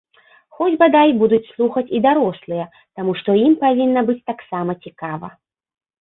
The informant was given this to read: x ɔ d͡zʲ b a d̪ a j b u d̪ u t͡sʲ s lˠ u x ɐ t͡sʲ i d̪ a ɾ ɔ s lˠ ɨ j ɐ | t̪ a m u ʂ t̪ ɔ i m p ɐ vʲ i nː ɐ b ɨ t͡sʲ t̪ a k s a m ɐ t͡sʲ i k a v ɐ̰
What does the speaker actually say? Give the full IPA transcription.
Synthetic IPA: x ɔ d͡zʲ b a d̪ a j b u d̪ u t͡sʲ s lˠ u x ɐ t͡sʲ i d̪ a ɾ ɔ s lˠ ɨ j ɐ | t̪ a m u ʂ t̪ ɔ i m p a vʲ i nː ɐ b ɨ t͡sʲ t̪ a k s a m ɐ t͡sʲ i k a v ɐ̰